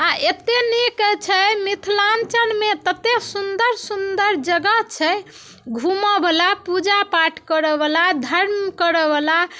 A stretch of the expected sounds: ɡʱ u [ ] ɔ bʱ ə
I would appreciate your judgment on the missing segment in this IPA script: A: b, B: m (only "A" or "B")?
B